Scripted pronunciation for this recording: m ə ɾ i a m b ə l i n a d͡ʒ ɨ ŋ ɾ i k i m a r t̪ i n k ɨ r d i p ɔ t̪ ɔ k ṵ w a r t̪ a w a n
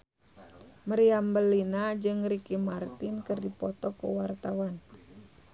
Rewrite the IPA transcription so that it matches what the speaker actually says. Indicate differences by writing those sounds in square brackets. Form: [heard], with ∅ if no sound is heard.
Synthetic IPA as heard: m ə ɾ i a m b ə l i n a d͡ʒ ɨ ŋ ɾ i k i m a r t̪ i n k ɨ r d i p ɔ t̪ ɔ k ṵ w a r t̪ a w a n